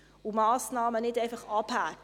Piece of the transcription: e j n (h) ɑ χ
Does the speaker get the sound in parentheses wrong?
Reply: yes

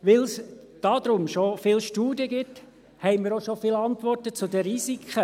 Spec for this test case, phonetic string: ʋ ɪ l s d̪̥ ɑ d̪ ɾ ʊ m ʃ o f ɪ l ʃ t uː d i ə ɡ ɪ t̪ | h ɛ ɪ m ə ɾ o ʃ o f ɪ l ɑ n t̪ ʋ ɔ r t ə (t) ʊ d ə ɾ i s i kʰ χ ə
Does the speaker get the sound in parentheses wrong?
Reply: yes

